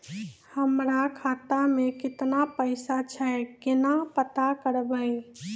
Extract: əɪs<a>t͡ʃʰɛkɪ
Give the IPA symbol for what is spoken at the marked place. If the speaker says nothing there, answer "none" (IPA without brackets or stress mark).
a